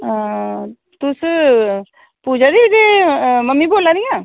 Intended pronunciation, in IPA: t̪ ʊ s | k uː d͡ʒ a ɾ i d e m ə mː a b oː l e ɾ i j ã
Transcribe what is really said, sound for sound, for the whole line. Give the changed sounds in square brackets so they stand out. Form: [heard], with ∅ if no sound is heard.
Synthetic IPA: t̪ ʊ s | [p] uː d͡ʒ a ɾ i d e m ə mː [i] b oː l [a] ɾ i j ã